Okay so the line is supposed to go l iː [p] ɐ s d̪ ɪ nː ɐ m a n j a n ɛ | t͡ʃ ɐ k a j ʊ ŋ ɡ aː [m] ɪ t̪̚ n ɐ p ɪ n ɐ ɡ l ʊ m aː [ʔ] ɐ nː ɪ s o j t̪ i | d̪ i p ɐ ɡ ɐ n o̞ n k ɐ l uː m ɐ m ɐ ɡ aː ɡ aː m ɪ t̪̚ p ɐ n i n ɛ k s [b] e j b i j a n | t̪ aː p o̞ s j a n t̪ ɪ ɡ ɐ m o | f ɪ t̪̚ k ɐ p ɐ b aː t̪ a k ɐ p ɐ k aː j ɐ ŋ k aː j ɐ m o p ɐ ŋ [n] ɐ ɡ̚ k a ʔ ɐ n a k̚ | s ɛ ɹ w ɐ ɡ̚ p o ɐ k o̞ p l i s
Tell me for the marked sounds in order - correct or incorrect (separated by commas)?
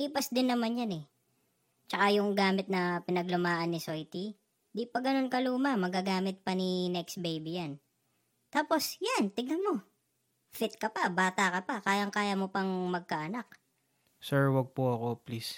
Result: correct, correct, correct, correct, incorrect